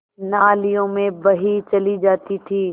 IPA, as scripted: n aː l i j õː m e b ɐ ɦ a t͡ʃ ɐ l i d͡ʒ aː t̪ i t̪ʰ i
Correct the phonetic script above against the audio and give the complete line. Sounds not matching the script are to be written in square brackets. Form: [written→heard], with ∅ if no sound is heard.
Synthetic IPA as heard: n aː l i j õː m [e→ẽ] b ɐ ɦ [a→i] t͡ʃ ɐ l i d͡ʒ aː t̪ i t̪ʰ [i→iː]